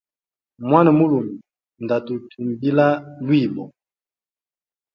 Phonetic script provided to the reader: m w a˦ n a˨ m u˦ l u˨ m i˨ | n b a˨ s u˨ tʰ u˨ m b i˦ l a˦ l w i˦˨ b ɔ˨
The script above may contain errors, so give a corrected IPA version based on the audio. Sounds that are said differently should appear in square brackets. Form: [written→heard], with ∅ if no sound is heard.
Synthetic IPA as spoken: m w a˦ n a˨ m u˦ l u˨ m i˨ | n [b→d] a˨ [s→t] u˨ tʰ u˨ m b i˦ l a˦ l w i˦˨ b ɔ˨